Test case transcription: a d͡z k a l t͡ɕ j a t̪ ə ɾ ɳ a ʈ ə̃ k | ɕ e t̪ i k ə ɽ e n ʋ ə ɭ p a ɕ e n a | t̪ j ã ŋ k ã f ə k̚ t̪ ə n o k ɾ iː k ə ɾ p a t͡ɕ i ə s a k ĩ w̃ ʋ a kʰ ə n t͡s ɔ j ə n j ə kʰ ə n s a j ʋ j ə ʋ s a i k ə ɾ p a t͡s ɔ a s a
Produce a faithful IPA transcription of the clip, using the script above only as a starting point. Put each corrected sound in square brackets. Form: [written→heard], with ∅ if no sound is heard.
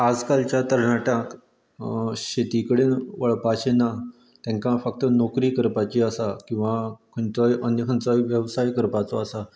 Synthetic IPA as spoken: a d͡z k a l t͡ɕ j a t̪ ə ɾ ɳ a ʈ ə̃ k | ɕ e t̪ i k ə ɽ e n ʋ ə ɭ p a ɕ e n a | t̪ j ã ŋ k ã f ə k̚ t̪ ə n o k ɾ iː k ə ɾ p a t͡ɕ i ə s a k ĩ w̃ ʋ a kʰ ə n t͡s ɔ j ə n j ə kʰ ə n [s→t͡s] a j ʋ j ə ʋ s a [i→j] k ə ɾ p a t͡s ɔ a s a